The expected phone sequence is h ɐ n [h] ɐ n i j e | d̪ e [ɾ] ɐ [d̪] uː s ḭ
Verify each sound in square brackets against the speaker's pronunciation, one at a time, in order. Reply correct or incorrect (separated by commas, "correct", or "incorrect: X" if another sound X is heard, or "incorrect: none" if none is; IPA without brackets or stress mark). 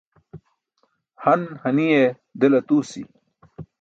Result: correct, incorrect: l, incorrect: t̪